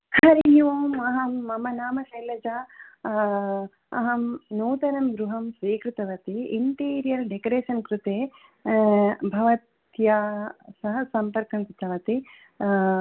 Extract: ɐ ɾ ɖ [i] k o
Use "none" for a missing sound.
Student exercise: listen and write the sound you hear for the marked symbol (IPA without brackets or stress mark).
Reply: e